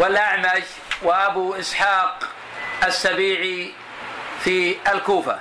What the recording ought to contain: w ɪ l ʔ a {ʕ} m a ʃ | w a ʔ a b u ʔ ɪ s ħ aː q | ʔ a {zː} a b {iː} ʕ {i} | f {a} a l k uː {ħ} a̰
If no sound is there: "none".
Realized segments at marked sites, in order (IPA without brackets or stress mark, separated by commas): ʕ, sː, iː, i, i, f